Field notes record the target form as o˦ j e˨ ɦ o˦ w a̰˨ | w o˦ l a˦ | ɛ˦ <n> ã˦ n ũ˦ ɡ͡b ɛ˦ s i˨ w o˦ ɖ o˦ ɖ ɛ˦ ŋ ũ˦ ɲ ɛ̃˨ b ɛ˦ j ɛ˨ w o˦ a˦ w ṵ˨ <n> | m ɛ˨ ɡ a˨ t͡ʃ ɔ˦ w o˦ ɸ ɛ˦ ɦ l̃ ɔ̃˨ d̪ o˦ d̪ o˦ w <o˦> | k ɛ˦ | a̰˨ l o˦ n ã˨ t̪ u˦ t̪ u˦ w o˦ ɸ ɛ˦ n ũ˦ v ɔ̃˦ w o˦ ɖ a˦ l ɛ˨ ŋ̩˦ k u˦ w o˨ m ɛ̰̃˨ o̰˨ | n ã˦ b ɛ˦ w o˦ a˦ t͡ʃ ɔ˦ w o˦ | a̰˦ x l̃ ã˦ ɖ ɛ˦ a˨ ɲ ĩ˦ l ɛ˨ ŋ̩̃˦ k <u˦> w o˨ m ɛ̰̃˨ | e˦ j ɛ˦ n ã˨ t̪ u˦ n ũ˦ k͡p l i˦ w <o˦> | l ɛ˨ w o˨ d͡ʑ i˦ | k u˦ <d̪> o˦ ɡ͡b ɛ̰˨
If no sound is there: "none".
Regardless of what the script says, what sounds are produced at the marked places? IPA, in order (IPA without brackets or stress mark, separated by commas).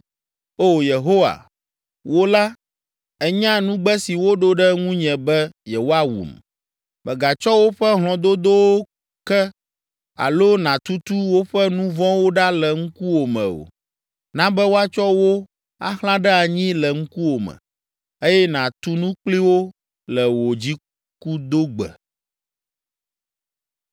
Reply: ɲ, m, o˦, u˦, o˦, d̪